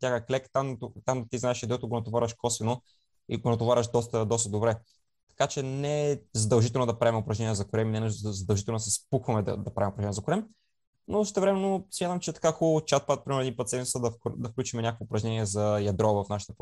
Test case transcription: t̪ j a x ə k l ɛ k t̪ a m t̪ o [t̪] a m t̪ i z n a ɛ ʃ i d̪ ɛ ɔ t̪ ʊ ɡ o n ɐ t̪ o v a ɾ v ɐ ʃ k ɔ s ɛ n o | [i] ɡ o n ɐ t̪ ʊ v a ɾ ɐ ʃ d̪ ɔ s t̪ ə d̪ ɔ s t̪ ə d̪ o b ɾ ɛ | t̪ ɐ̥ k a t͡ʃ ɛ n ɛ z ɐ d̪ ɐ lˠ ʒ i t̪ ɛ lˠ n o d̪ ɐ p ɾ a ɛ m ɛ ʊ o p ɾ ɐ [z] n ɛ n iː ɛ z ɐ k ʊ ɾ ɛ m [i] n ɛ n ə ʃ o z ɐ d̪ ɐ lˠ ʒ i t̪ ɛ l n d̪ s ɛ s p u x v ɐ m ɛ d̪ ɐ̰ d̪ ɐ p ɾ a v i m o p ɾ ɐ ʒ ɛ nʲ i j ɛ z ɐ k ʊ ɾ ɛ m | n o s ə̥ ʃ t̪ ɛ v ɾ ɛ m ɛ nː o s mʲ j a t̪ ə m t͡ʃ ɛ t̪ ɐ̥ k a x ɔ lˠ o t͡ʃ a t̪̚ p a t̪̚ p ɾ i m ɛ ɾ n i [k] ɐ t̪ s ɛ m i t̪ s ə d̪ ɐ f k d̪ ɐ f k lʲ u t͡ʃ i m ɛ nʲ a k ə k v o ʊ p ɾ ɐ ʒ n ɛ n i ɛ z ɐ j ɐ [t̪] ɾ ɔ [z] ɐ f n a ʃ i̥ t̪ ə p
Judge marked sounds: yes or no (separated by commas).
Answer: yes, yes, no, yes, no, no, no